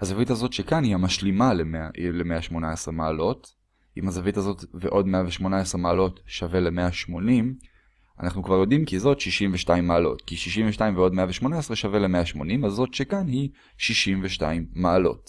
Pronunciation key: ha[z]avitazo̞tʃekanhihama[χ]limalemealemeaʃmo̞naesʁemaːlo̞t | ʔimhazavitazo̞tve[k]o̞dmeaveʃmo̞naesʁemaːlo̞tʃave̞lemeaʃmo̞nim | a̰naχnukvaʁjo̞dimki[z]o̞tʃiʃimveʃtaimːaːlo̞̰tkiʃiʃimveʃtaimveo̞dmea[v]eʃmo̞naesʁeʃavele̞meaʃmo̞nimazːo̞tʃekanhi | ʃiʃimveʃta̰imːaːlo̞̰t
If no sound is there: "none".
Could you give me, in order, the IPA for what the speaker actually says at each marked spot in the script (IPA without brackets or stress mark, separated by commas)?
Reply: z, ʃ, ʔ, z, v